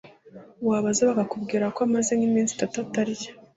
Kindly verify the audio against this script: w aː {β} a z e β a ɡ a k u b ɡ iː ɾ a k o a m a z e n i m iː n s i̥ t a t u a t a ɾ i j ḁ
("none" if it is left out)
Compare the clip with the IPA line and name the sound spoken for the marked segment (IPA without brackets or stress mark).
β